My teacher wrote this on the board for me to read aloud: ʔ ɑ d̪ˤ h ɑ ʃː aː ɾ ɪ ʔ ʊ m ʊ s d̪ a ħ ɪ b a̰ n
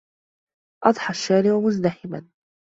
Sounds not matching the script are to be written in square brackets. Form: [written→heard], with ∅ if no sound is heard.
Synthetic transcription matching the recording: ʔ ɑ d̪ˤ [h→ħ] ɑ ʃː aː ɾ ɪ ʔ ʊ m ʊ [s→z] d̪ a ħ ɪ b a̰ n